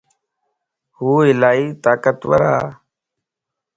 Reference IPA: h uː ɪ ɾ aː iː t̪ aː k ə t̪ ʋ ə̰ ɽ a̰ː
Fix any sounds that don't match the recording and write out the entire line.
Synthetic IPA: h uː ɪ l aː iː t̪ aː k ə t̪ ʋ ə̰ ɾ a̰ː